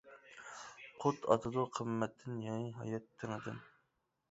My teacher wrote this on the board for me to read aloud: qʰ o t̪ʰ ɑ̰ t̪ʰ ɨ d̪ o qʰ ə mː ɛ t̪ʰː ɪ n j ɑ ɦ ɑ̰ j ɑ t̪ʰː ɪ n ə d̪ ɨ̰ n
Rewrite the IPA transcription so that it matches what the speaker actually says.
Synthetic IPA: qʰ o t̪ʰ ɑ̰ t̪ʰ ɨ d̪ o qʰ ə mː ɛ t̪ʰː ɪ n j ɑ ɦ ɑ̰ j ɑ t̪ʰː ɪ ŋ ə d̪ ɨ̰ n